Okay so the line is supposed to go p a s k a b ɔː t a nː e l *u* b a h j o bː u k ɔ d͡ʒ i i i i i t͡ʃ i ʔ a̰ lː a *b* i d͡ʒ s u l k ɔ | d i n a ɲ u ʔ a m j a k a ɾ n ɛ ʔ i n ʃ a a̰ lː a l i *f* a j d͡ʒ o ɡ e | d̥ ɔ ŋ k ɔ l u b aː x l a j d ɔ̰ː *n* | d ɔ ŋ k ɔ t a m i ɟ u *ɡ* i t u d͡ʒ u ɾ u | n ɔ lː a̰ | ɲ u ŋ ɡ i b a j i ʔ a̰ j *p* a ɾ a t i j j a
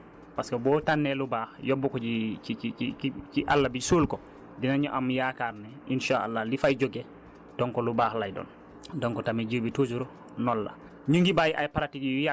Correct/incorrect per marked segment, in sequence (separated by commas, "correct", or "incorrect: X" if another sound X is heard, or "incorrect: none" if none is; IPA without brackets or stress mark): correct, correct, correct, correct, incorrect: b, correct